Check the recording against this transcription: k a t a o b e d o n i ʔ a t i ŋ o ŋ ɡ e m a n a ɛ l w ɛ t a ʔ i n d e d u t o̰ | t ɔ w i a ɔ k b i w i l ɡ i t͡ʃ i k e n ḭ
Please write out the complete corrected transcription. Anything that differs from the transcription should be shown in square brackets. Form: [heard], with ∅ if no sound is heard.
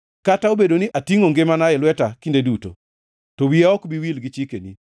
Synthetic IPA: k a t a o b e d o n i ʔ a t i ŋ o ŋ ɡ e m a n a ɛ l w ɛ t a [k] i n d e d u t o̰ | t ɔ w i a ɔ k b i w i l ɡ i t͡ʃ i k e n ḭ